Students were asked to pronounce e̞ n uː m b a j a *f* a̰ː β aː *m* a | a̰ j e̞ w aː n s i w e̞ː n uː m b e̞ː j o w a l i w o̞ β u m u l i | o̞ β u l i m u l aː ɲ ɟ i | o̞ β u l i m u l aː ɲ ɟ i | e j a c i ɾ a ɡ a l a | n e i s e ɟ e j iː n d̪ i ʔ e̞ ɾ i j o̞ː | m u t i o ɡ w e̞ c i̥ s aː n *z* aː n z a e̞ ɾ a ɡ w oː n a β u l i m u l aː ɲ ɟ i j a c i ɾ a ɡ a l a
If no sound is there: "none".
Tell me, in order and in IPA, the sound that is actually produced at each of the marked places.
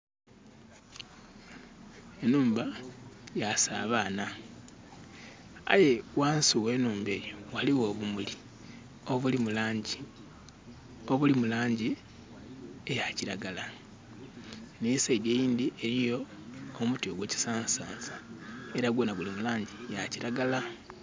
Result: s, n, s

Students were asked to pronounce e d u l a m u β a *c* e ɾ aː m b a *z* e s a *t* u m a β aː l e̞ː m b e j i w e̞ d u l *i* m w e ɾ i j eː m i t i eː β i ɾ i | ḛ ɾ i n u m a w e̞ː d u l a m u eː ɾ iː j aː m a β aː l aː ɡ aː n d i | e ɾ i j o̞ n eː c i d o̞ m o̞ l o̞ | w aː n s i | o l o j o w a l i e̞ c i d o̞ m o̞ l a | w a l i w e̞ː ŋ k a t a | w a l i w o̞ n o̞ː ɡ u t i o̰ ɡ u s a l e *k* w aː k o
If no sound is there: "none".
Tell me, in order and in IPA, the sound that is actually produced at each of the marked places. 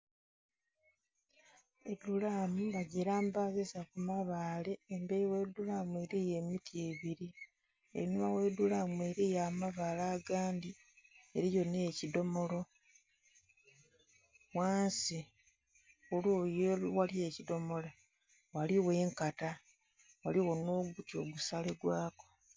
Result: ɟ, z, k, a, ɡ

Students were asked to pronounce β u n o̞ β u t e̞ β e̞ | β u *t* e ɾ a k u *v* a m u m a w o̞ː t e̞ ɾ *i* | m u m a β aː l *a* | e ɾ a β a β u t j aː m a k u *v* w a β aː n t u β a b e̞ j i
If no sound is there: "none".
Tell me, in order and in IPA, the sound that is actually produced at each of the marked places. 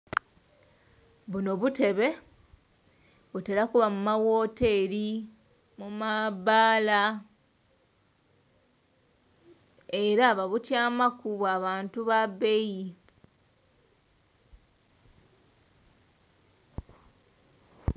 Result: t, β, i, a, β

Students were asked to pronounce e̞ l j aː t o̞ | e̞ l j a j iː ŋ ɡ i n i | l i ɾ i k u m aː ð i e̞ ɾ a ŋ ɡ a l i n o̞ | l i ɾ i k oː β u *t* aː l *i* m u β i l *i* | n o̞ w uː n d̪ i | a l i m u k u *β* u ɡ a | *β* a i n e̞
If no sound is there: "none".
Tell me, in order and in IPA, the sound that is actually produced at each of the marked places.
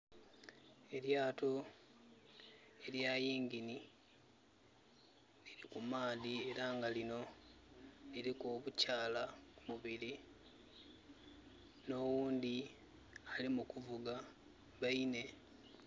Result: c, a, i, v, β

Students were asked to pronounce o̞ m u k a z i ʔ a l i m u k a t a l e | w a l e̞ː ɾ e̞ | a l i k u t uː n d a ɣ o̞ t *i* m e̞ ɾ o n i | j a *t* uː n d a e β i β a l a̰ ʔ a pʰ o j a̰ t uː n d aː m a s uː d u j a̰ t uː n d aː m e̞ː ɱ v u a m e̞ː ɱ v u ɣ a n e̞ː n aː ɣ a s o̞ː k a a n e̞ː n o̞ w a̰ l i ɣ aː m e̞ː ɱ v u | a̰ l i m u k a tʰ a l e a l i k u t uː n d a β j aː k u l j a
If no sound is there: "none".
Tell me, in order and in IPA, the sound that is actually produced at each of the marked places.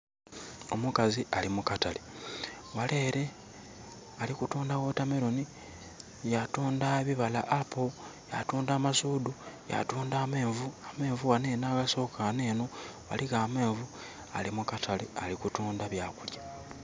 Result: a, t

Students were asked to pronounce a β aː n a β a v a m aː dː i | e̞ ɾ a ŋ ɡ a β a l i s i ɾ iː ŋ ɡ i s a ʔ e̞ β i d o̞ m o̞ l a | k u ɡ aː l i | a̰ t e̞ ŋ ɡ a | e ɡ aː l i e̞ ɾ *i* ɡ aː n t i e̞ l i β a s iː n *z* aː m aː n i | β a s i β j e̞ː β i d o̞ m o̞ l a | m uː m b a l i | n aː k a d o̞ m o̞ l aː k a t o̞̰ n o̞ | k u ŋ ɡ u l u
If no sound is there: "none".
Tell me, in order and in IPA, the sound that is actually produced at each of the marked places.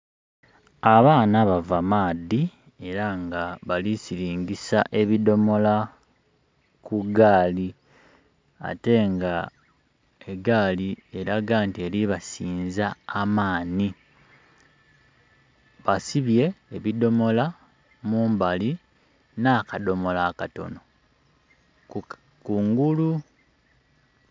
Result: a, z

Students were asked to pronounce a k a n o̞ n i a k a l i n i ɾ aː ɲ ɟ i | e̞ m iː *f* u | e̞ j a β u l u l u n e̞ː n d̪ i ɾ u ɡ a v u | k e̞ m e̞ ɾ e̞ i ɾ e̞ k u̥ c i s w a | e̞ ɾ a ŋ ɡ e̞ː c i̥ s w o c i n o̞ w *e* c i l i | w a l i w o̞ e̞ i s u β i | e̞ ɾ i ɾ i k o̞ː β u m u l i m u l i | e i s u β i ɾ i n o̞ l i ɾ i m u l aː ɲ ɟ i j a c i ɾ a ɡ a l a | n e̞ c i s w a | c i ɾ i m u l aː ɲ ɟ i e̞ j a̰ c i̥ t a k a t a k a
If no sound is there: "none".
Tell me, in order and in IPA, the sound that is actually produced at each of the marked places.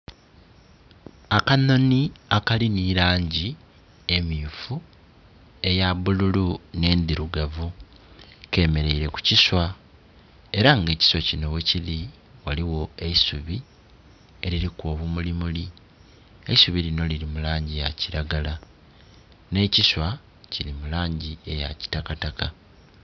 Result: f, e

